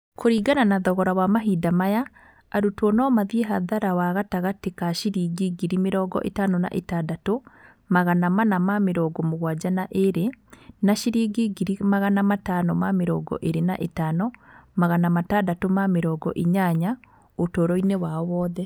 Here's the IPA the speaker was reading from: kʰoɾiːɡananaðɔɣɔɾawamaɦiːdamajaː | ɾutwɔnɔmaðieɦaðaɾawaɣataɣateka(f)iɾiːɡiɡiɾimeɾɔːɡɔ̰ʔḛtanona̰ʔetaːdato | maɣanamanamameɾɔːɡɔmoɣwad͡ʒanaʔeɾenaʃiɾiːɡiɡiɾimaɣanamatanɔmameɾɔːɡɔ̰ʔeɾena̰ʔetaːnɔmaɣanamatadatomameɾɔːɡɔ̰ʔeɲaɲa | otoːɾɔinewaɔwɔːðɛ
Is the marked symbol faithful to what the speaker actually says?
no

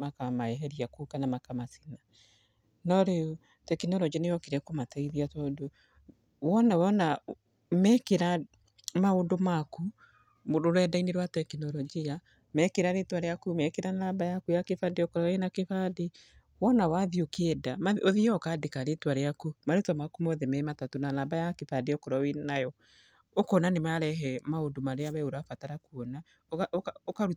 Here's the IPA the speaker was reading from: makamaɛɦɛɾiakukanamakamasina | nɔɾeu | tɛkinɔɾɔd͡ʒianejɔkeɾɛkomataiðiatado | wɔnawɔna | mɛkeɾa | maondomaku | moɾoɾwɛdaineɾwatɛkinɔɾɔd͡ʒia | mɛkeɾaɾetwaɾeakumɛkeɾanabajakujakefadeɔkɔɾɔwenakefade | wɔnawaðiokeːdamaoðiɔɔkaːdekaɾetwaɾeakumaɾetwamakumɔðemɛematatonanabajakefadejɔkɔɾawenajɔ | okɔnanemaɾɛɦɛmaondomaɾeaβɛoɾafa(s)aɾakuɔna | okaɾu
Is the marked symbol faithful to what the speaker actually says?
no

